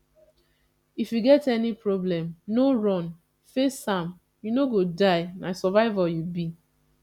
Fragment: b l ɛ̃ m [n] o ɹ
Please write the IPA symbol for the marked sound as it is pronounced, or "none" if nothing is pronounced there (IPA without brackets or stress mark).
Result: n